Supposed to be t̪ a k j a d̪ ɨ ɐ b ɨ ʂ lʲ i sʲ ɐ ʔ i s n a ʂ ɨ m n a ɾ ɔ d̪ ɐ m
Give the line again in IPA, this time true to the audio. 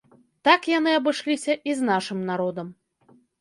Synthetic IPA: t̪ a k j a n̪ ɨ ɐ b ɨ ʂ lʲ i sʲ ɐ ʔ i z n a ʂ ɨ m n a ɾ ɔ d̪ ɐ m